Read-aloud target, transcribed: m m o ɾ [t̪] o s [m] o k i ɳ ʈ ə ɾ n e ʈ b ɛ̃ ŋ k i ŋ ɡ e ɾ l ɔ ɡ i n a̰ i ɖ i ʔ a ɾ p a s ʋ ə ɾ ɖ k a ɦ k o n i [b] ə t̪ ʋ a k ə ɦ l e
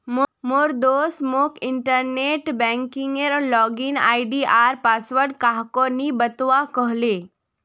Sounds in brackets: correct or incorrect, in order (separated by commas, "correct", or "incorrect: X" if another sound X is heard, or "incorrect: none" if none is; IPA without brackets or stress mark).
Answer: incorrect: d̪, correct, correct